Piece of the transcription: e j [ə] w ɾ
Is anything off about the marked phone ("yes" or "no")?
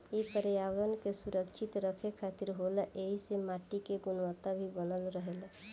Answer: yes